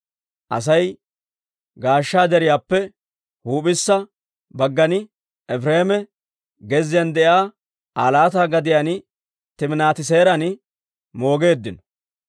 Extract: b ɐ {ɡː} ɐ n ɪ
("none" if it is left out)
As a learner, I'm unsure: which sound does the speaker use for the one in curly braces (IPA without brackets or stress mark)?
ɡː